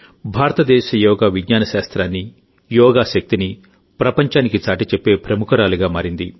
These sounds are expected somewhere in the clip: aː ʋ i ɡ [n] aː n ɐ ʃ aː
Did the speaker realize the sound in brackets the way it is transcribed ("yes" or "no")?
no